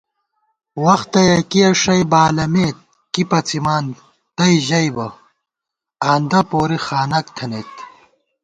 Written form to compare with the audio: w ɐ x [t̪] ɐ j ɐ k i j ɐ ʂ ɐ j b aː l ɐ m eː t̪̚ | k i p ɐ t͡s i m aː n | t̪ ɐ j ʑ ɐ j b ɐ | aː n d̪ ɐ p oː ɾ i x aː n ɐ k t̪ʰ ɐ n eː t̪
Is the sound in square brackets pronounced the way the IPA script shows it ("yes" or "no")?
yes